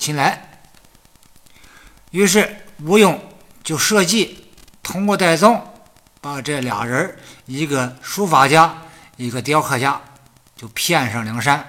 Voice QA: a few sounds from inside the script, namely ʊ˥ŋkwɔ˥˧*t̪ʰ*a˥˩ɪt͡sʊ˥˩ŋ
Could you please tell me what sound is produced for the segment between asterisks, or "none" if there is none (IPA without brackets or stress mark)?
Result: t̪